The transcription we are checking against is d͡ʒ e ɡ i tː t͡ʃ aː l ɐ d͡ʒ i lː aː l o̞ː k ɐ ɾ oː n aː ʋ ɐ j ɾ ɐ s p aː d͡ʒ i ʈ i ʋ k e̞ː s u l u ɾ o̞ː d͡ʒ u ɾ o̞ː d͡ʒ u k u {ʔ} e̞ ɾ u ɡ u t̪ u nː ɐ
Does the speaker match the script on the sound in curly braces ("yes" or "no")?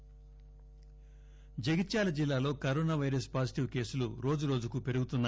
no